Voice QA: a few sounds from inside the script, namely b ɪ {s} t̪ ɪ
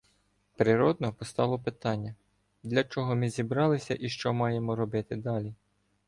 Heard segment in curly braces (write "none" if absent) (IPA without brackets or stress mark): none